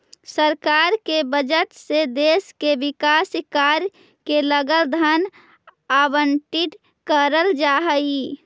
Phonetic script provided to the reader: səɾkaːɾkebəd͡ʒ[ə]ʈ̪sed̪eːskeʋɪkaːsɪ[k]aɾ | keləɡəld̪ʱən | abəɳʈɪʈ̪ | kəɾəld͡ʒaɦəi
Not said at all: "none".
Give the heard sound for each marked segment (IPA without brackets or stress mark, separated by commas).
ə, k